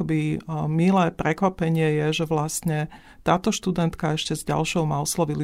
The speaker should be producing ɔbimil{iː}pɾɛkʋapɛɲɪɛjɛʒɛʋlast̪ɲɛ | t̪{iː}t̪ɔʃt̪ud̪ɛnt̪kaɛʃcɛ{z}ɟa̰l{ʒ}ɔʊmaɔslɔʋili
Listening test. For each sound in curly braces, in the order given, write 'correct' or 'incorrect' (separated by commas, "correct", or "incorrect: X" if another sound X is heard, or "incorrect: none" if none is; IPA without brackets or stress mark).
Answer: incorrect: ɛː, incorrect: aː, correct, incorrect: ʃ